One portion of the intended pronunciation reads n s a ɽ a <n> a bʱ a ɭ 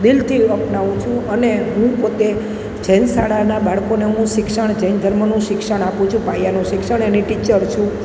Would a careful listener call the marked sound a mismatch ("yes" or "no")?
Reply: no